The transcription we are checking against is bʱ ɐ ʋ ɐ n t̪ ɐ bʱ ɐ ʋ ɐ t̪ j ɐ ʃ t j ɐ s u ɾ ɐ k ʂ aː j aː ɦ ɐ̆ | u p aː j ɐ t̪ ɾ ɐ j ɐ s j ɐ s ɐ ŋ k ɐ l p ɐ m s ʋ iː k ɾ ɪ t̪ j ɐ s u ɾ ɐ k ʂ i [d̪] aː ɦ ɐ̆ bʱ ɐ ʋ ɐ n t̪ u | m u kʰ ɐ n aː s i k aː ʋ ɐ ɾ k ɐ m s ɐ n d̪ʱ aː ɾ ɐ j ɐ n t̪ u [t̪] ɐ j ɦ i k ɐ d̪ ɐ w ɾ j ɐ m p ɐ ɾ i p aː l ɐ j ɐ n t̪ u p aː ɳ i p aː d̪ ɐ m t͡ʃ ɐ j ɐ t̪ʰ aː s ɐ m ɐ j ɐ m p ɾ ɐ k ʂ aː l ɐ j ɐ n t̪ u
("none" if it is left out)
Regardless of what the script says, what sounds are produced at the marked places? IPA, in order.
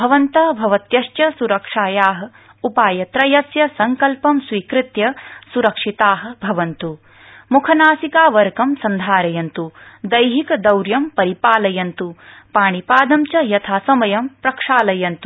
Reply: t̪, d̪

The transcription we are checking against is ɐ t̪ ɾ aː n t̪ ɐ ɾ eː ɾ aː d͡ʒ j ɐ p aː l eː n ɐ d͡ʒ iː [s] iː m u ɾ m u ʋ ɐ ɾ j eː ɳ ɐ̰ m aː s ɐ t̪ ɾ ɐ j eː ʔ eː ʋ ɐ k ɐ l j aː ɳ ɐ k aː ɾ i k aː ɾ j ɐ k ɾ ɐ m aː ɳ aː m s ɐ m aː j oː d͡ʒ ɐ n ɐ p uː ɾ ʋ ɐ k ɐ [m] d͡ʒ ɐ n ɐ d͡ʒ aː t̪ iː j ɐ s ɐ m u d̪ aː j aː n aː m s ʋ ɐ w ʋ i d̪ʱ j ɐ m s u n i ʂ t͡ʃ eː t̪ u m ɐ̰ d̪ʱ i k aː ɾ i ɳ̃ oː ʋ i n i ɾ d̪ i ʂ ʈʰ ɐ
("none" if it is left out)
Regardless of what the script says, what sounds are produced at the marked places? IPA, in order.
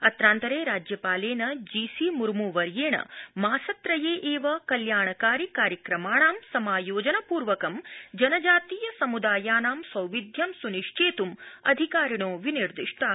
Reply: s, m

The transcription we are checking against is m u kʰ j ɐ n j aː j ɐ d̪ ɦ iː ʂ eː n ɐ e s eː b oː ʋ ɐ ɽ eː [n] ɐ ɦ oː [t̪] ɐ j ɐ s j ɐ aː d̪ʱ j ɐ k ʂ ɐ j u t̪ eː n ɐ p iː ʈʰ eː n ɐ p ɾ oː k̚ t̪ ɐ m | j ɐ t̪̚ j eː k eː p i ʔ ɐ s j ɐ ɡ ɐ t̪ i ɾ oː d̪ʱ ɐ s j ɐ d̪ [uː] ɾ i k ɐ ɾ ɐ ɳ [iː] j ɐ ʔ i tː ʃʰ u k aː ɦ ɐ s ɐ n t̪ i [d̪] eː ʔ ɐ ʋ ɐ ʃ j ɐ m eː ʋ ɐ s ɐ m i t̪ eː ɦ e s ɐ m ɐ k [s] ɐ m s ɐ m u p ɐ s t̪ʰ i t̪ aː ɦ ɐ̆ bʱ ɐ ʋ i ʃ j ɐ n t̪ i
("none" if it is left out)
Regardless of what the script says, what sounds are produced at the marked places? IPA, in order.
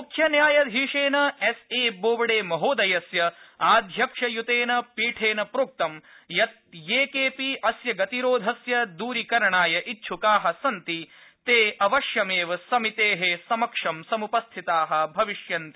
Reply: m, d̪, uː, aː, t̪, ʂ

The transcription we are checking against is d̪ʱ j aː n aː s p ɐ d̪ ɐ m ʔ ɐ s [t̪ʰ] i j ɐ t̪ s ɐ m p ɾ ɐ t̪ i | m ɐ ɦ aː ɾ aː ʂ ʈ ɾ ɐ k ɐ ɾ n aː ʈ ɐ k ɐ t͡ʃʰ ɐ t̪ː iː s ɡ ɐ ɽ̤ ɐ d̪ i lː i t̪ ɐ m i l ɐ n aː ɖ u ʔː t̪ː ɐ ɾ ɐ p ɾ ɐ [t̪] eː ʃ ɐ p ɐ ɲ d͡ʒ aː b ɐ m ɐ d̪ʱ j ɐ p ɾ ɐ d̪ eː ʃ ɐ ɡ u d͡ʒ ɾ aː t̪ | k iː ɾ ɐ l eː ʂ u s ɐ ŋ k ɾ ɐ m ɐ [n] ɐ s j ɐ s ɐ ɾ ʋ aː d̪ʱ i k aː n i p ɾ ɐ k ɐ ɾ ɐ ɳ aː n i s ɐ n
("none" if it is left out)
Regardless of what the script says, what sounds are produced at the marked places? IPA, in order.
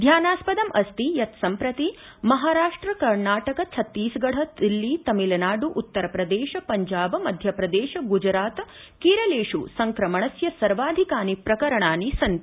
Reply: t̪, d̪, ɳ

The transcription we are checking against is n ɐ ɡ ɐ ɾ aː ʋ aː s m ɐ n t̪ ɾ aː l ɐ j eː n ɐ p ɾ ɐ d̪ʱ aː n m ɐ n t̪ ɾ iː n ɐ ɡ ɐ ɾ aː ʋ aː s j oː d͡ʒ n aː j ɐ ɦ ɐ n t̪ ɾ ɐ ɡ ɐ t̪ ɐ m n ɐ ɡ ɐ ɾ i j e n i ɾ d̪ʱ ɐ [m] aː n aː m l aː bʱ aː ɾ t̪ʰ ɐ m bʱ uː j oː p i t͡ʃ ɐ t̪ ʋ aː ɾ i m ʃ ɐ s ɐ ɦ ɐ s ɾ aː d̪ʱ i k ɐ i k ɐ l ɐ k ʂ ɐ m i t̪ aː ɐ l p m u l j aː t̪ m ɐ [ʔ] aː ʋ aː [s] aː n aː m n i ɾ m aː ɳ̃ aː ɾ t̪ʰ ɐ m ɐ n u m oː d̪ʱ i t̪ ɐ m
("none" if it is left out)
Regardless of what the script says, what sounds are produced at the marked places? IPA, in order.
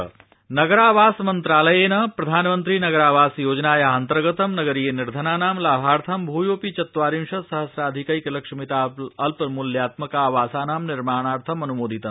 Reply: n, k, s

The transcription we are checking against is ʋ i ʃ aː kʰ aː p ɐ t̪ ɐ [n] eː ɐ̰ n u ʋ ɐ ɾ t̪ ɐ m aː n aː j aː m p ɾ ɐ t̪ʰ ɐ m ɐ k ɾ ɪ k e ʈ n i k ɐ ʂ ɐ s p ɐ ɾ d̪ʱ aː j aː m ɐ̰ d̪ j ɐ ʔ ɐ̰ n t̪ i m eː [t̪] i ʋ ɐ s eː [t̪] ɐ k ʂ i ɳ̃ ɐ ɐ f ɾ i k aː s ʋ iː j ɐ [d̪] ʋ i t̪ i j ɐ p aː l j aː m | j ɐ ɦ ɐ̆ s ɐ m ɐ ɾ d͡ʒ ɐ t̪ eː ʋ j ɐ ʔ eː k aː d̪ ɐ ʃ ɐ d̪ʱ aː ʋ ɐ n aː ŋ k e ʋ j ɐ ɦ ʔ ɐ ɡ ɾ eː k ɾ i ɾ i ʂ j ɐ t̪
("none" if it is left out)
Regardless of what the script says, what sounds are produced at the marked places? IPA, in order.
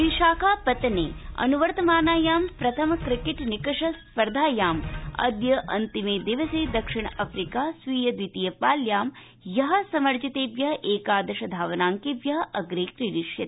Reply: n, d̪, d̪, d̪

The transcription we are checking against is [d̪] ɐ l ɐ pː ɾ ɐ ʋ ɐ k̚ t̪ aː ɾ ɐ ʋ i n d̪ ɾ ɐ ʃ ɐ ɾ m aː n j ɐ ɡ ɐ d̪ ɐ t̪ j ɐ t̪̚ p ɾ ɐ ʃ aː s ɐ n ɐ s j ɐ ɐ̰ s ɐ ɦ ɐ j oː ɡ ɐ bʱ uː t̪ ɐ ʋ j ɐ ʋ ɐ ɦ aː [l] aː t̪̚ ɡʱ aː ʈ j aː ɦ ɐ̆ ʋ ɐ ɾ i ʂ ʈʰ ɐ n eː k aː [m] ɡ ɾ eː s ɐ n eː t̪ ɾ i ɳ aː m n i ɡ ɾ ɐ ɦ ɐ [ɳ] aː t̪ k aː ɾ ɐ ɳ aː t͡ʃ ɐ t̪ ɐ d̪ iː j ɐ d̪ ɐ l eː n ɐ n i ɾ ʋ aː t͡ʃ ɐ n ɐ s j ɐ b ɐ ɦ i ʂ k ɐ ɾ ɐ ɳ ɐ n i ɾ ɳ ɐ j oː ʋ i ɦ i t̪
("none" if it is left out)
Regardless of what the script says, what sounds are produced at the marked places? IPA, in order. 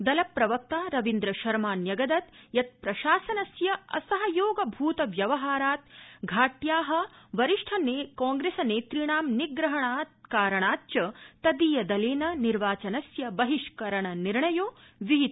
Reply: d̪, ɾ, ŋ, ɳ

